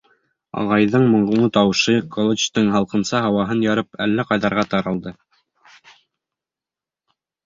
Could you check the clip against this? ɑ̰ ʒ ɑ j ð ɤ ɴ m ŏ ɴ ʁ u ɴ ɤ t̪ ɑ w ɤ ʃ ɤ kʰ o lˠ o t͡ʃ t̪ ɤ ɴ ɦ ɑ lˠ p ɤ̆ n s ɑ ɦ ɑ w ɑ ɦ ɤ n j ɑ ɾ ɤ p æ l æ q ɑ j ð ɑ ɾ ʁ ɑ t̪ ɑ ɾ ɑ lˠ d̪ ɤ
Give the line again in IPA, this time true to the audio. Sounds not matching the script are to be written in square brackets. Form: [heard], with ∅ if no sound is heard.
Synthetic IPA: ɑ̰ [ʁ] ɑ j ð ɤ ɴ m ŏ ɴ ʁ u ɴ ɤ t̪ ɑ w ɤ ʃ ɤ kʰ o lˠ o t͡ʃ t̪ ɤ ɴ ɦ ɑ lˠ [q] ɤ̆ n s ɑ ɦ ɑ w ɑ ɦ ɤ n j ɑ ɾ ɤ p æ [lː] æ q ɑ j ð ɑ ɾ ʁ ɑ t̪ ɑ ɾ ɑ lˠ d̪ ɤ